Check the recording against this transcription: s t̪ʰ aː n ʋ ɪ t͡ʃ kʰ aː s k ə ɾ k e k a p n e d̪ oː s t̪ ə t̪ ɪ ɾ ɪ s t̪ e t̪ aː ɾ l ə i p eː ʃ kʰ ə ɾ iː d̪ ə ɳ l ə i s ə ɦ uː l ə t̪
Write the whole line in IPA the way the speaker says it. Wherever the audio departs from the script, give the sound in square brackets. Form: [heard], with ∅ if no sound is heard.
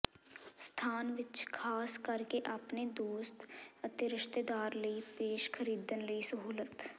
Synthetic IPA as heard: s t̪ʰ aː n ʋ ɪ t͡ʃ kʰ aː s k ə ɾ k e [ʔ] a p n e d̪ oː s t̪ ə t̪ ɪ ɾ ɪ [ʃ] t̪ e [d̪] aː ɾ l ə i p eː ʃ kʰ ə ɾ iː d̪ ə [n] l ə i s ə ɦ uː l ə t̪

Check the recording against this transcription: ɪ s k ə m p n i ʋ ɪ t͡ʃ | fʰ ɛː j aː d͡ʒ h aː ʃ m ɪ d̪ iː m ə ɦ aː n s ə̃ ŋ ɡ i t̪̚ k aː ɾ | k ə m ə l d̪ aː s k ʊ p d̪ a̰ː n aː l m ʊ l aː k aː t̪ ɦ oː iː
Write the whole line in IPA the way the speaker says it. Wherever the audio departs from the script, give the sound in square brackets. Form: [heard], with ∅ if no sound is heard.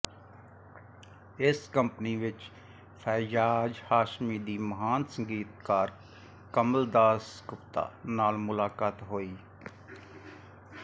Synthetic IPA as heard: ɪ s k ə m p n i ʋ ɪ t͡ʃ | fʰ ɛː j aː d͡ʒ h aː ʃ m [i] d̪ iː m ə ɦ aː n s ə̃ ŋ ɡ [iː] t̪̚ k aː ɾ | k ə m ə l d̪ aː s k ʊ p [t̪] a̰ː n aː l m ʊ l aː k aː t̪ ɦ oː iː

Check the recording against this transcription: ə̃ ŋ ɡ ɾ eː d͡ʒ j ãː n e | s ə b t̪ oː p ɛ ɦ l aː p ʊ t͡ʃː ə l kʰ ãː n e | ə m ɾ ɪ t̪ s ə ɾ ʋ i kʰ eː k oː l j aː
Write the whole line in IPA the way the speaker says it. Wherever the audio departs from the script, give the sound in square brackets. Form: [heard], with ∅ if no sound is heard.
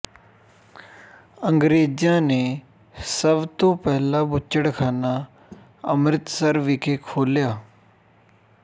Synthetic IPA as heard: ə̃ ŋ ɡ ɾ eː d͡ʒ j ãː n e | s ə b t̪ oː p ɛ ɦ l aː [b] ʊ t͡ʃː ə [ɽ] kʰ [aː] n [a] | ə m ɾ ɪ t̪ s ə ɾ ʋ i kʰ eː [kʰ] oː l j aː

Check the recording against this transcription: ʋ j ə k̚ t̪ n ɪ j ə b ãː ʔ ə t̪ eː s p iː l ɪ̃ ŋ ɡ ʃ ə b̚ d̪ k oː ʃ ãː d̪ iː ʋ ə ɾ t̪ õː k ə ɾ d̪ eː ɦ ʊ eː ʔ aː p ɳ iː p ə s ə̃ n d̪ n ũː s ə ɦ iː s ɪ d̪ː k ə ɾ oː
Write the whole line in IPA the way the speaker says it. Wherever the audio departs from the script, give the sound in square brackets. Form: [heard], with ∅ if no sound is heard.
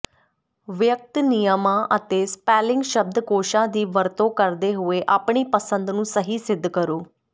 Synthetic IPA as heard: ʋ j ə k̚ t̪ n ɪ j ə [m] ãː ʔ ə t̪ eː s p [ɛː] l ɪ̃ ŋ ɡ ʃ ə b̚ d̪ k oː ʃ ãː d̪ iː ʋ ə ɾ t̪ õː k ə ɾ d̪ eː ɦ ʊ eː ʔ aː p ɳ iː p ə s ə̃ n d̪ n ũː s ə ɦ iː s ɪ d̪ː k ə ɾ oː

